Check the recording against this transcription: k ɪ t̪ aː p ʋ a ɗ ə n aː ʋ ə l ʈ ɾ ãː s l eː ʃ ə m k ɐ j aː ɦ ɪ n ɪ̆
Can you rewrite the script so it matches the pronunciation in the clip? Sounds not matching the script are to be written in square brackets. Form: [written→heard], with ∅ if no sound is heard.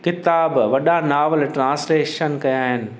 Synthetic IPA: k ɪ t̪ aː [p→b] ʋ [a→ɐ] ɗ [ə→a] n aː ʋ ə l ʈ ɾ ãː s l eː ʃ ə [m→n] k ɐ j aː ɦ ɪ n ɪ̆